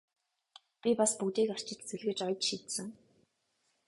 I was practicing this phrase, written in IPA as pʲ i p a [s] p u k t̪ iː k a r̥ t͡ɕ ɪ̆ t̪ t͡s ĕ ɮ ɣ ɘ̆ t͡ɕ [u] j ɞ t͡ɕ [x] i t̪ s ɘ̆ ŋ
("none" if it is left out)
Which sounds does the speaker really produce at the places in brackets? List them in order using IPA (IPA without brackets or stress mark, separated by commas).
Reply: s, ɔ, ʃ